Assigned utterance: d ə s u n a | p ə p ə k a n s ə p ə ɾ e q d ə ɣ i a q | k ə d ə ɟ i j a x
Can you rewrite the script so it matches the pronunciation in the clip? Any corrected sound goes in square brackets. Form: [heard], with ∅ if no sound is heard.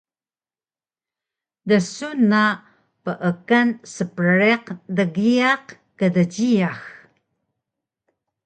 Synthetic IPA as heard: d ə s u n a | p ə [ʔ] ə k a n s ə p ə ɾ e q d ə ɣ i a q | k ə d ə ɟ i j a x